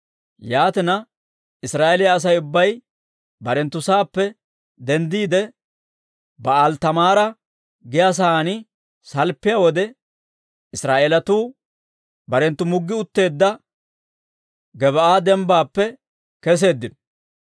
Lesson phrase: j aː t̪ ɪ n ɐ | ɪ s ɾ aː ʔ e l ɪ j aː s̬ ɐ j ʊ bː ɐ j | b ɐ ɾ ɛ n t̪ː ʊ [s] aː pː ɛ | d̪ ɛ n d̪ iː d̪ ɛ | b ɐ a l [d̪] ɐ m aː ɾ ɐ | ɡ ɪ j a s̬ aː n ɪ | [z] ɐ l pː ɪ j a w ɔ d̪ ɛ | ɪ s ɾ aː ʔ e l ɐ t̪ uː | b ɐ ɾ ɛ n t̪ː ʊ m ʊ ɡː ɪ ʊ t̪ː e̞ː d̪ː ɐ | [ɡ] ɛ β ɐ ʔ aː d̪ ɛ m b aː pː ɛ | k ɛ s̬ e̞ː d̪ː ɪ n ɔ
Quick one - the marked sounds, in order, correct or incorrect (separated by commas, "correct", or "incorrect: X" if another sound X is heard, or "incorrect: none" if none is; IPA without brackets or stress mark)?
correct, incorrect: t̪, incorrect: s, correct